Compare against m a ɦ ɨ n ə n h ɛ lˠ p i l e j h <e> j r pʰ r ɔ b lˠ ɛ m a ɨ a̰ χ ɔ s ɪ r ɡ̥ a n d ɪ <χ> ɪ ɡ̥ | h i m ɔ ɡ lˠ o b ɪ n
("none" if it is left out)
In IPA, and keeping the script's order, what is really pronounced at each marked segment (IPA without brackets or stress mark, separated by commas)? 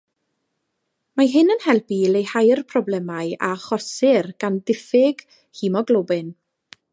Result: a, f